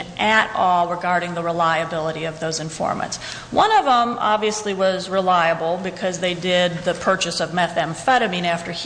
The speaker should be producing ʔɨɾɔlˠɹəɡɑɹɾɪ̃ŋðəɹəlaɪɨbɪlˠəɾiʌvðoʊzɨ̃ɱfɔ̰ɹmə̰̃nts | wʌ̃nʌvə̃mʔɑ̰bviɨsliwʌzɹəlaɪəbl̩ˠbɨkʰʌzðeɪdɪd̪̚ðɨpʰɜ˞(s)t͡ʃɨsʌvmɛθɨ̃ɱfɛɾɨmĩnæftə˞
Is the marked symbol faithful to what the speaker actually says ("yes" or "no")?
no